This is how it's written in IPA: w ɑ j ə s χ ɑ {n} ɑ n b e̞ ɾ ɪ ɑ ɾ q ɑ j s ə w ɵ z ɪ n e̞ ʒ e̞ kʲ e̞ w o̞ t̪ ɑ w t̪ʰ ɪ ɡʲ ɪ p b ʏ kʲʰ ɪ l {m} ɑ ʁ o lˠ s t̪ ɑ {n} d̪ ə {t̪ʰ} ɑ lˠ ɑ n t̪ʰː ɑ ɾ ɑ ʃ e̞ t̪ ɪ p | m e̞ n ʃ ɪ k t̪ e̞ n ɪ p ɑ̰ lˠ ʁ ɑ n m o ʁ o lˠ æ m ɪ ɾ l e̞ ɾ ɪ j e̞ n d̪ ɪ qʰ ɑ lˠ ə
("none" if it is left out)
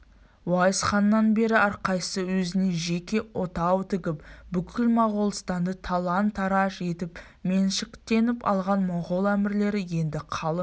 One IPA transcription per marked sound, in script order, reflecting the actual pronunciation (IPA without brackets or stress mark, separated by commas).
nː, m, n, t̪ʰ